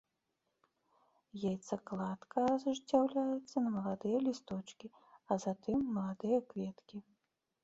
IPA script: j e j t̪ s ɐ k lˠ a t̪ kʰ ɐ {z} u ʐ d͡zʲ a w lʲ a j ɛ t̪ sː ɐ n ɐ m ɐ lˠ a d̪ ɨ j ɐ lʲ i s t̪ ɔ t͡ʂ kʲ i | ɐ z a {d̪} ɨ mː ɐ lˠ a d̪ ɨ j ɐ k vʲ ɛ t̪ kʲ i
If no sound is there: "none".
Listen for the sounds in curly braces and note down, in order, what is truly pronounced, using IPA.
z, t̪

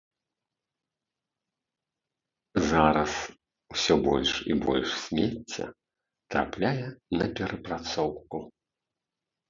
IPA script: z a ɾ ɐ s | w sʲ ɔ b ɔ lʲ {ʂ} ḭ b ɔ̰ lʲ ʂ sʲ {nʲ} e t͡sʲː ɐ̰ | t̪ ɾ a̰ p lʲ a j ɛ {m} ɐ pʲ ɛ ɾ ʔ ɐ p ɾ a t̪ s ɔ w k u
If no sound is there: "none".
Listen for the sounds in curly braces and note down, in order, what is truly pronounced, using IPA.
ʂ, mʲ, n

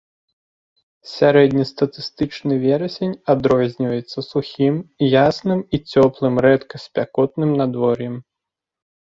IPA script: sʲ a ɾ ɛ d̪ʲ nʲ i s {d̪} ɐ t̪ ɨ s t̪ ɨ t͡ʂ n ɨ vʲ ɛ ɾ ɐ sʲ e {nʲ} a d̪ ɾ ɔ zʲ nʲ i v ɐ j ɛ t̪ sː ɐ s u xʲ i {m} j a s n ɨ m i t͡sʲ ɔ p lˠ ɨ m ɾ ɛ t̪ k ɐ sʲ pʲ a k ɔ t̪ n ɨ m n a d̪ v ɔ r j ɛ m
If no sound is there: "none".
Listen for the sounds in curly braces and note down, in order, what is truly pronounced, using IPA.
t̪, nʲ, m

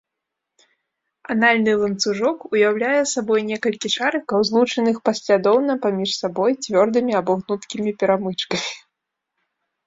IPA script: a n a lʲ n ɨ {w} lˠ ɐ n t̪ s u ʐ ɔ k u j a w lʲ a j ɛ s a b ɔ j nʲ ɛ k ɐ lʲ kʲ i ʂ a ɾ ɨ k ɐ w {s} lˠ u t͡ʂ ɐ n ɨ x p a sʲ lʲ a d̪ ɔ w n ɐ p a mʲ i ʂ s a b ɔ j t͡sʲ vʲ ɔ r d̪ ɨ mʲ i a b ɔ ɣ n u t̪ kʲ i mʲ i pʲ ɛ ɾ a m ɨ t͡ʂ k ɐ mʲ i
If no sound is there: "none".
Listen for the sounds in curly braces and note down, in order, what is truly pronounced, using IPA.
none, z

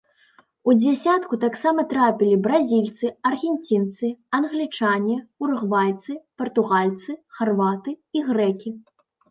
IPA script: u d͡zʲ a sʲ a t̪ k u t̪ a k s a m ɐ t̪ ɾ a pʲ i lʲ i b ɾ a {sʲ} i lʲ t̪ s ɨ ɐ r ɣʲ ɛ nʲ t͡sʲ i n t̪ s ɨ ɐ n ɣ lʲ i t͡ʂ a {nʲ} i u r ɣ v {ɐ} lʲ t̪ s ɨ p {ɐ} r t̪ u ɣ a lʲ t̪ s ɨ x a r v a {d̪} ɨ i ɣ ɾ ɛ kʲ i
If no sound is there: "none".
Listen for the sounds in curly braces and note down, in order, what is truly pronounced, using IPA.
zʲ, nʲ, a, ɐ, t̪

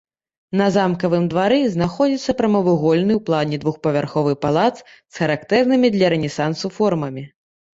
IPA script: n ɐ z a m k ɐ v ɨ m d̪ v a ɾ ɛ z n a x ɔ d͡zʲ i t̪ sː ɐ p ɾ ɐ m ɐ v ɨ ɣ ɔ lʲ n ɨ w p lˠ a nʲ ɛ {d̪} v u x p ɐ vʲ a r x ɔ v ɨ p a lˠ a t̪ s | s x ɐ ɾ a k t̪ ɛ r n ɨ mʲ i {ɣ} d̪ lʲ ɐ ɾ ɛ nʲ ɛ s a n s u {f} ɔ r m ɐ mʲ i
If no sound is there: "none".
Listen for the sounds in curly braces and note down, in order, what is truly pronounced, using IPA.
d̪, none, f

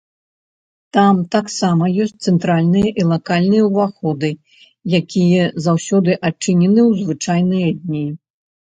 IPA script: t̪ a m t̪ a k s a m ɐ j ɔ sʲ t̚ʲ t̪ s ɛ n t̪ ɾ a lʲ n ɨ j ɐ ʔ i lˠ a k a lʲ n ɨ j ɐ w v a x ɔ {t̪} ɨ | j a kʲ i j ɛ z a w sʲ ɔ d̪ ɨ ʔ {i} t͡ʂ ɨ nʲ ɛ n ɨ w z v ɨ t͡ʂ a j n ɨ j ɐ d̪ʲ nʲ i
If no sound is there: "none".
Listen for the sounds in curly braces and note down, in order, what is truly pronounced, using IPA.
d̪, a

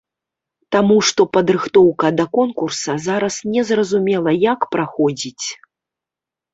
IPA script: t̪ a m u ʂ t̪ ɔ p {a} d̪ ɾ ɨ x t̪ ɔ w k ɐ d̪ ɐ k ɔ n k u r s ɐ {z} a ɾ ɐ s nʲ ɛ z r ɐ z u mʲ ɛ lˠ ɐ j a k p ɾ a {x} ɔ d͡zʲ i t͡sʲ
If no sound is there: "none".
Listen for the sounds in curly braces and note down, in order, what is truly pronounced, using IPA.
ɐ, z, x

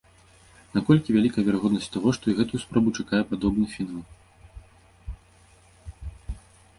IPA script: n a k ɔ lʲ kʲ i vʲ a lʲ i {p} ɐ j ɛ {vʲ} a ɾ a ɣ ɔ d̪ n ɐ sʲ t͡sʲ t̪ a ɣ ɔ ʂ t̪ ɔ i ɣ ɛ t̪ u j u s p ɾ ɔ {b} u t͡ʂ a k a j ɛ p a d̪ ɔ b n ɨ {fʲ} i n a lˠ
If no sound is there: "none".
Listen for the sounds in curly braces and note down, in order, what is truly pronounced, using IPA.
k, vʲ, b, fʲ

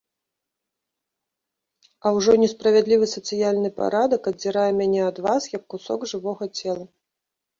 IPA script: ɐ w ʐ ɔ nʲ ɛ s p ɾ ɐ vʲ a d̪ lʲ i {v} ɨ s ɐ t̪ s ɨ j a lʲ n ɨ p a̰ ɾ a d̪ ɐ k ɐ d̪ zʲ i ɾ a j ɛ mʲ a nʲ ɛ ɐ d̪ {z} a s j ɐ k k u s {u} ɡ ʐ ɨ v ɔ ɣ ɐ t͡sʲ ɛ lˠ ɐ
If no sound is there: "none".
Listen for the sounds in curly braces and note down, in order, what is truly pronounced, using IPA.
v, v, ɔ

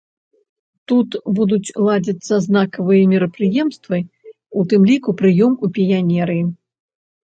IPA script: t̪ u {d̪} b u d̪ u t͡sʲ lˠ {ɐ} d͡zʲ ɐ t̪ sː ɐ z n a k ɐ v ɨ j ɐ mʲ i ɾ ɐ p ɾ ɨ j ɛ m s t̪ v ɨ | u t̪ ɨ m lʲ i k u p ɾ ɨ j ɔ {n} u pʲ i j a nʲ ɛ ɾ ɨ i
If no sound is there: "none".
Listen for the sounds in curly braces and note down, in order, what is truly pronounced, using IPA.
t̪, a, m

